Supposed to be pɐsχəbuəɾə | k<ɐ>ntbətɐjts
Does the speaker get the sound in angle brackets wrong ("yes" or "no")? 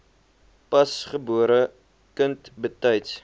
yes